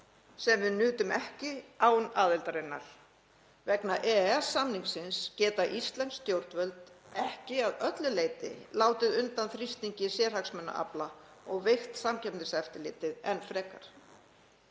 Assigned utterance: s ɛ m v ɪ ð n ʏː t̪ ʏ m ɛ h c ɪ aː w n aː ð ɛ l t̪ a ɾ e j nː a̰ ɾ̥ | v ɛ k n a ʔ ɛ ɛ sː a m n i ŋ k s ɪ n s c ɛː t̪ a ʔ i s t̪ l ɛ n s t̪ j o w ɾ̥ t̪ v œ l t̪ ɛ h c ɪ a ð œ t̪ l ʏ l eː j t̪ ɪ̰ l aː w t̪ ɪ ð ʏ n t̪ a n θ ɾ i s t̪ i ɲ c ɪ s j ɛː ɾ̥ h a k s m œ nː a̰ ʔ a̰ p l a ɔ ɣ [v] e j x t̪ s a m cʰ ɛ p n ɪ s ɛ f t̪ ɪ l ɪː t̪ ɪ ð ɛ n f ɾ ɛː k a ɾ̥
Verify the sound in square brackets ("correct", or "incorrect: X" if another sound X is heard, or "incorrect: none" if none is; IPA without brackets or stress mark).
correct